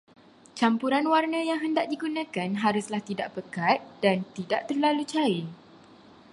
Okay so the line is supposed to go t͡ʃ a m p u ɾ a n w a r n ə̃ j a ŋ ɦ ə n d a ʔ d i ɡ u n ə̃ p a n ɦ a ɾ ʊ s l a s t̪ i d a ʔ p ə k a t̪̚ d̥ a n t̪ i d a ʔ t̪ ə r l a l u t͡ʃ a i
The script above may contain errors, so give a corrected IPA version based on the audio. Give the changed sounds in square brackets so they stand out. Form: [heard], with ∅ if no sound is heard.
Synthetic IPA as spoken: t͡ʃ a m p u ɾ a n w a r n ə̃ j a ŋ ɦ ə n d a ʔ d i ɡ u n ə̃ [k] a n ɦ a ɾ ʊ s l a [h] t̪ i d a ʔ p ə k a t̪̚ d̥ a n t̪ i d a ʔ t̪ ə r l a l u t͡ʃ a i